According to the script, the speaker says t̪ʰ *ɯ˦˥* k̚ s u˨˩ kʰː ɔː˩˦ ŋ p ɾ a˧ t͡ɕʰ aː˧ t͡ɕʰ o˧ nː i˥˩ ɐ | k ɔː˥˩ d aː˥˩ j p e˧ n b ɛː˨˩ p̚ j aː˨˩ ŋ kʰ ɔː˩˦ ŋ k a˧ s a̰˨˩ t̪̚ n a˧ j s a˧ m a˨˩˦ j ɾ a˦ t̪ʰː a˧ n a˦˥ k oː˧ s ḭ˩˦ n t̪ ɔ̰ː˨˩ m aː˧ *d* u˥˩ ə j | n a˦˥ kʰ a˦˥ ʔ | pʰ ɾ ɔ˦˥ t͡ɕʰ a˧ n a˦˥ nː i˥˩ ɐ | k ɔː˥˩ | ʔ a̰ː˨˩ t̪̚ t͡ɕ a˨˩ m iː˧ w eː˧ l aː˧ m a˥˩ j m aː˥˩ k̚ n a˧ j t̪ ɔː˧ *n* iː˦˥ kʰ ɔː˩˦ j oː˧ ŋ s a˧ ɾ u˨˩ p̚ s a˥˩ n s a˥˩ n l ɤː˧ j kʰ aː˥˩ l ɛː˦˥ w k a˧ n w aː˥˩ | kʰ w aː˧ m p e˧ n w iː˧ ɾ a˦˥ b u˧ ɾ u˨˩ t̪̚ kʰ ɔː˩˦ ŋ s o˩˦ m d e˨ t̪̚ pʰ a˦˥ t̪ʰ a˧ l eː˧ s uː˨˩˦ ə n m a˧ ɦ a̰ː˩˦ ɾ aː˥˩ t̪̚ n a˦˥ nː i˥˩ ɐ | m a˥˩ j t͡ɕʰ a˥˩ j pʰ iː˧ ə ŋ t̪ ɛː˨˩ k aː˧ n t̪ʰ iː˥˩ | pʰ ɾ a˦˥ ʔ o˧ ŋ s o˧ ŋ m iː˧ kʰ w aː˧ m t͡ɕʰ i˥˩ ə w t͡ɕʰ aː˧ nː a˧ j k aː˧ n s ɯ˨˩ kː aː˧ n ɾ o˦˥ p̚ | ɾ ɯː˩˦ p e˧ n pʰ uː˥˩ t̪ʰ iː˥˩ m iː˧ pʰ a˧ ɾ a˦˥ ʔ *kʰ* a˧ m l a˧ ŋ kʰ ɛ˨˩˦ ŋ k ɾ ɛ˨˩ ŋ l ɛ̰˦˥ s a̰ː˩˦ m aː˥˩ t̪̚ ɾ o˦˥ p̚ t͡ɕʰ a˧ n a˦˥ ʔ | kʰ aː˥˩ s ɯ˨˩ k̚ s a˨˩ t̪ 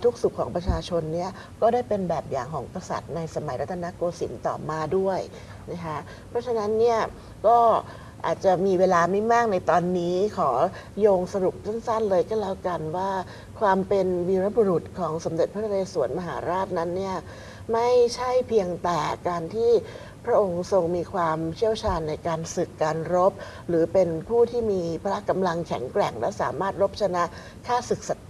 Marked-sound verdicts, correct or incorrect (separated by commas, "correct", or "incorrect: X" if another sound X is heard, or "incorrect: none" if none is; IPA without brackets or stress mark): incorrect: u˦˥, correct, incorrect: nː, incorrect: k